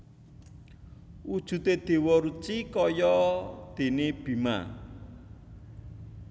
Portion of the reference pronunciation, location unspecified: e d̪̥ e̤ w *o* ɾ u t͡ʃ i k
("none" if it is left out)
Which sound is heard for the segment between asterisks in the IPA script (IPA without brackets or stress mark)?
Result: ɔ